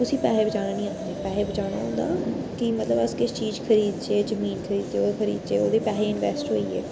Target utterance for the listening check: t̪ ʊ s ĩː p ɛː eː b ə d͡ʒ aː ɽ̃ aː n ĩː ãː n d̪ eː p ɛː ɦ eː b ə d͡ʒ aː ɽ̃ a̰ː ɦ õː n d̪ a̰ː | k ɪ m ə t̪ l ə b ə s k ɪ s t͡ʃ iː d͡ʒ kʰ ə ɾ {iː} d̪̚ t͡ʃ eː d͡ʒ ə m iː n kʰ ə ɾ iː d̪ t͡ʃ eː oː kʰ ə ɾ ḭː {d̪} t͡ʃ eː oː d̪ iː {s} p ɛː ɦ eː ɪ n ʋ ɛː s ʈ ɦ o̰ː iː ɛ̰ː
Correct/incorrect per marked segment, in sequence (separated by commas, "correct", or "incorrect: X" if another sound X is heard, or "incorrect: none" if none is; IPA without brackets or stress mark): correct, correct, incorrect: none